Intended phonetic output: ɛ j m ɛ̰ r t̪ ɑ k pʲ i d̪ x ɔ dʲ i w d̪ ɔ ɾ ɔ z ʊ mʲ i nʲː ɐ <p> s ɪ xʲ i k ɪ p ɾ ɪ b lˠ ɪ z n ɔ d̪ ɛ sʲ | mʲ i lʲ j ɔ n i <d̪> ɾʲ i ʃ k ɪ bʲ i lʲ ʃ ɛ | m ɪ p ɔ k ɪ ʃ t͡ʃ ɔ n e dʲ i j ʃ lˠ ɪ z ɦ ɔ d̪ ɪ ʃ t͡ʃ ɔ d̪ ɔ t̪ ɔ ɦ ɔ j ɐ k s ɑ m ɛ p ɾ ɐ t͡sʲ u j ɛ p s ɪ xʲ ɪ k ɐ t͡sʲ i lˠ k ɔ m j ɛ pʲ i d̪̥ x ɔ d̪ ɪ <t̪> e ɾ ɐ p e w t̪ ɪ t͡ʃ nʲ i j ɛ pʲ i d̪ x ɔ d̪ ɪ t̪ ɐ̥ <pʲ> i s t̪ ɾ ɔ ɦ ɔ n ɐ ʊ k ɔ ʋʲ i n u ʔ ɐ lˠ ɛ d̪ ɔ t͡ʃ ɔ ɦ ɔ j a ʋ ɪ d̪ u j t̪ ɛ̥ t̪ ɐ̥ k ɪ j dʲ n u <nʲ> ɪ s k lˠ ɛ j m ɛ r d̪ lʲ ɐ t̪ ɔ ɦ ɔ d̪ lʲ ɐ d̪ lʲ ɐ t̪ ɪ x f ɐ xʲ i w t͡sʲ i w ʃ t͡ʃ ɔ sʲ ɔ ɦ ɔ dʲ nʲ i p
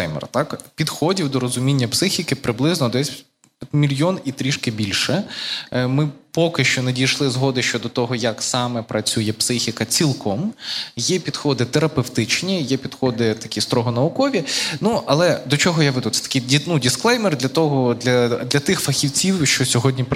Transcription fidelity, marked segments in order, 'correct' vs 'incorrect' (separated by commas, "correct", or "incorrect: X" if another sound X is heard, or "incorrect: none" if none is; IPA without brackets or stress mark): correct, incorrect: t̪, correct, incorrect: kʲ, incorrect: dʲ